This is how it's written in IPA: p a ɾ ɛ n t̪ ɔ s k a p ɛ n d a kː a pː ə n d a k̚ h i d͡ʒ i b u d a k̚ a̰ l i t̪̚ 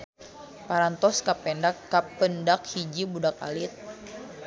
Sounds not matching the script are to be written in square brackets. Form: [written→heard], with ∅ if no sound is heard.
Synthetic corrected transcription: p a ɾ [ɛ→a] n t̪ ɔ s k a p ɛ n d a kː a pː ə n d a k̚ h i d͡ʒ i b u d a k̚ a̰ l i t̪̚